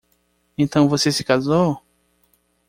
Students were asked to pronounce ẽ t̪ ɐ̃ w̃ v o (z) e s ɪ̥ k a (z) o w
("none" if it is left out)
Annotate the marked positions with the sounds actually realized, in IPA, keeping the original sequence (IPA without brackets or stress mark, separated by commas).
s, z